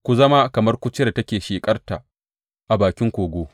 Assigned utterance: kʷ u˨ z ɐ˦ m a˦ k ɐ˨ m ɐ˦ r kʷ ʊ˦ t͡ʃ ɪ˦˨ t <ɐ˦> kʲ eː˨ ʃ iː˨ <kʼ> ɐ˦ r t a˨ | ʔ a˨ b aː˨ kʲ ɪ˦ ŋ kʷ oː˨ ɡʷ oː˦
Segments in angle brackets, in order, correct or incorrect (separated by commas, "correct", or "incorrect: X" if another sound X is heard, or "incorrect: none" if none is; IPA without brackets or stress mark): correct, correct